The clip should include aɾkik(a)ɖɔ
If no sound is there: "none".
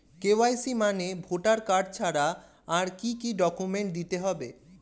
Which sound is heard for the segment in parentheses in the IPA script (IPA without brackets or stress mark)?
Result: i